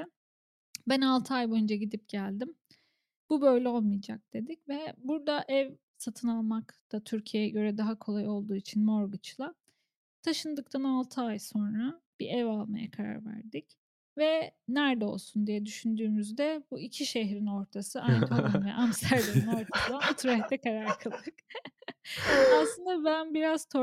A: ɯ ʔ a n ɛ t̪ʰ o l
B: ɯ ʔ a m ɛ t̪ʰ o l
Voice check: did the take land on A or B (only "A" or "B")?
A